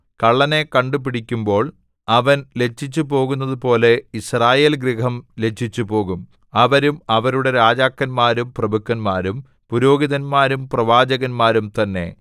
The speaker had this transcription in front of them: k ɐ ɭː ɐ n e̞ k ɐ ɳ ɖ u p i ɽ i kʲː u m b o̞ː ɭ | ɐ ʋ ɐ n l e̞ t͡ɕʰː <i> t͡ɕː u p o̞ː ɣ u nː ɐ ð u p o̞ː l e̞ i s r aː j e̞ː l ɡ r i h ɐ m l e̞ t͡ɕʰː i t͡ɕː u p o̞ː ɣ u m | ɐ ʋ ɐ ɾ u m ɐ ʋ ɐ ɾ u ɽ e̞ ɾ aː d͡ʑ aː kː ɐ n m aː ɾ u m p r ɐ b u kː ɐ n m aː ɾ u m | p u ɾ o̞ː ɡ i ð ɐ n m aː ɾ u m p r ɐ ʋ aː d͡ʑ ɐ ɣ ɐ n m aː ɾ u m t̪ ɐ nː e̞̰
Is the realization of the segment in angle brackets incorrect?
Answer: no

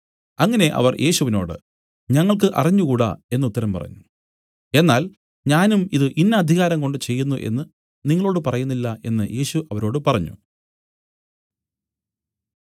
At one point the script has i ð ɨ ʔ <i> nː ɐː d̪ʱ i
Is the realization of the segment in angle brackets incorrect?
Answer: no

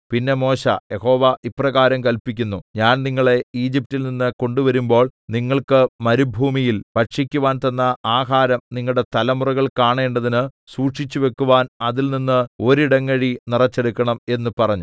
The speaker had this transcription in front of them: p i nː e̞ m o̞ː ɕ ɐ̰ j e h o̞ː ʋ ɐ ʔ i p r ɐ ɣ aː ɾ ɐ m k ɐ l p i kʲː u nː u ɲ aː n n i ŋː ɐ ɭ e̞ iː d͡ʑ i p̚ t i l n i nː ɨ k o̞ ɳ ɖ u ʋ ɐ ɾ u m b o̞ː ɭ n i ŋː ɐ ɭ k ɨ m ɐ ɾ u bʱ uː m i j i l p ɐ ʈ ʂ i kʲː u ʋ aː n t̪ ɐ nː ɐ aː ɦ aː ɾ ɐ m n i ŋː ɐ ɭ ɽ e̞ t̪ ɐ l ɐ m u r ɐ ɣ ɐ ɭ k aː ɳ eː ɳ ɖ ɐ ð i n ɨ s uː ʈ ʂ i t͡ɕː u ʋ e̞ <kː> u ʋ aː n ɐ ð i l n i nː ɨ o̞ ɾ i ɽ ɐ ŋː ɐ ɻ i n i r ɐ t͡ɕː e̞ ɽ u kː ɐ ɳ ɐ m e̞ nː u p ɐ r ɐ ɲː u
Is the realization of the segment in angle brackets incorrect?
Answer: no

